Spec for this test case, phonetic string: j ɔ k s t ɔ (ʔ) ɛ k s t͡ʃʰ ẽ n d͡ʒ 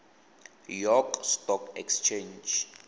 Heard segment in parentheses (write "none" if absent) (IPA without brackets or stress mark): k